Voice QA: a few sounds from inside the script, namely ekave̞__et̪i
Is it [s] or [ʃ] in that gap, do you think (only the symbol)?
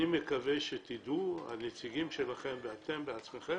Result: ʃ